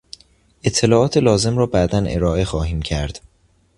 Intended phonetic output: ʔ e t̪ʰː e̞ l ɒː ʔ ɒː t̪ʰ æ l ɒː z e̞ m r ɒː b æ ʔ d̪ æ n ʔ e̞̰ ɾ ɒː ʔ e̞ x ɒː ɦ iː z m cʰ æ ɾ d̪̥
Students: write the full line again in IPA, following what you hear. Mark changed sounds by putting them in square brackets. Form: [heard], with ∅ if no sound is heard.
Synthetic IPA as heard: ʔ e t̪ʰː e̞ l ɒː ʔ ɒː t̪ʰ [e] l ɒː z e̞ m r ɒː b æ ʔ d̪ æ n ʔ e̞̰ ɾ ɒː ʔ e̞ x ɒː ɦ iː [∅] m cʰ æ ɾ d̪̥